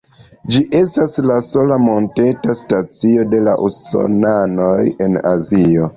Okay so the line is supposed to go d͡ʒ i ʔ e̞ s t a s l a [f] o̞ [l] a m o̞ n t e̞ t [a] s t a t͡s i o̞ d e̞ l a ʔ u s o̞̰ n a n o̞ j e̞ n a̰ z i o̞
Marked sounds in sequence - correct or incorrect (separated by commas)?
incorrect, correct, correct